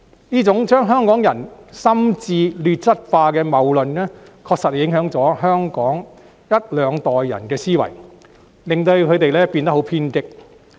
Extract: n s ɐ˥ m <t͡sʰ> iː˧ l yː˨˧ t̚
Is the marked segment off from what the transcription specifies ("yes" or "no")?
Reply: yes